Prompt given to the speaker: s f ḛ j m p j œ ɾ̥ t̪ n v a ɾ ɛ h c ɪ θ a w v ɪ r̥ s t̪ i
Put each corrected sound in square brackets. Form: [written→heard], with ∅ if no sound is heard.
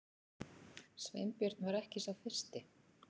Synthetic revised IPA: s [f→v] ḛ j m p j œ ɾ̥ t̪ n v a ɾ ɛ h c ɪ [θ→s] a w [v→f] ɪ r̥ s t̪ [i→ɪ]